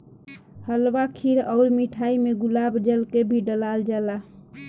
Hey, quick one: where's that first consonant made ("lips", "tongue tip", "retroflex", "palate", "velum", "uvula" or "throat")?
throat